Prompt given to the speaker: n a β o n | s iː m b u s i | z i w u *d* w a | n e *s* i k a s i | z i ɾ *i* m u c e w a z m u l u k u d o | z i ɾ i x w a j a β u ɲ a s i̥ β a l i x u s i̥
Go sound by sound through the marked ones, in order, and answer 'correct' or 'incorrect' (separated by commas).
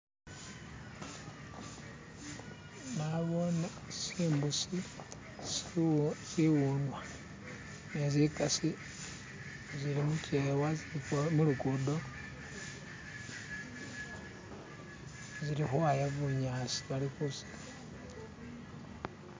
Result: incorrect, incorrect, correct